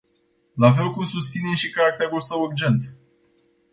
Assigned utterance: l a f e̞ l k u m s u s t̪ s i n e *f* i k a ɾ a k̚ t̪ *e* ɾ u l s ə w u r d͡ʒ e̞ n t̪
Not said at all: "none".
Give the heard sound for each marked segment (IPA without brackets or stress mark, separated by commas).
ʃ, e